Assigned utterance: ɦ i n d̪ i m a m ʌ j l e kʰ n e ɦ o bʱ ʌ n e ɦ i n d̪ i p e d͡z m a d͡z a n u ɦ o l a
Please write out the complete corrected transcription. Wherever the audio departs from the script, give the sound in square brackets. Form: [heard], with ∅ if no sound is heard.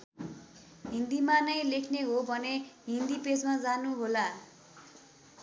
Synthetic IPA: ɦ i n d̪ i m a [n] ʌ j l e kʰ n e ɦ o bʱ ʌ n e ɦ i n d̪ i p e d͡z m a d͡z a n u ɦ o l a